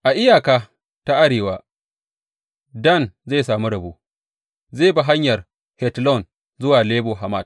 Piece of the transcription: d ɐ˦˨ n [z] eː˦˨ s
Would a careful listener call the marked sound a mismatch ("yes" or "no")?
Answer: no